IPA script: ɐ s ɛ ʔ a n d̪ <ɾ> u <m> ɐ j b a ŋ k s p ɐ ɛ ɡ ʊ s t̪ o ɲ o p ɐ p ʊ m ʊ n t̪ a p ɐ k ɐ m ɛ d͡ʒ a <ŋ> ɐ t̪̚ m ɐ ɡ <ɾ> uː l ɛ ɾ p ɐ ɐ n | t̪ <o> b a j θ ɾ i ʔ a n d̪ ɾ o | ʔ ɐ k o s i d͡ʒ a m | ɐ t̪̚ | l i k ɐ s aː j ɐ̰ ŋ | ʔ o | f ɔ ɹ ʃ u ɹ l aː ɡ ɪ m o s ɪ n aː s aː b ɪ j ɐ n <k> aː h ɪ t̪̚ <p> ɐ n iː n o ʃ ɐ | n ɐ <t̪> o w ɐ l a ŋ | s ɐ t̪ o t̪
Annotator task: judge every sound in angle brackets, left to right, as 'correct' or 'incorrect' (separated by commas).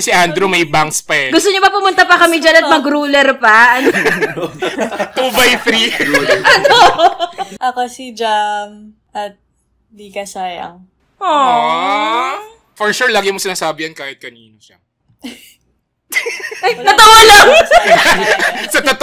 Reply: correct, correct, incorrect, correct, incorrect, correct, incorrect, correct